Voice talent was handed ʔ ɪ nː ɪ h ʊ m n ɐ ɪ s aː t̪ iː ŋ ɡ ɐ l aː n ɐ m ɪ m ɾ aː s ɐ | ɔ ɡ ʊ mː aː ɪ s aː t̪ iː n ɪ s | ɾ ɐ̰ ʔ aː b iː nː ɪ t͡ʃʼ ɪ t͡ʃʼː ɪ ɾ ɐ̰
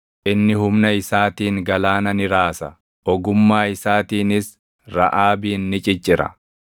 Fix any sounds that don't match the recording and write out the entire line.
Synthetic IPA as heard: ʔ ɪ nː ɪ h ʊ m n ɐ ɪ s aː t̪ iː ŋ ɡ ɐ l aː n ɐ n ɪ ɾ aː s ɐ | ɔ ɡ ʊ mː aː ɪ s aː t̪ iː n ɪ s | ɾ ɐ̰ ʔ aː b iː nː ɪ t͡ʃʼ ɪ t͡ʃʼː ɪ ɾ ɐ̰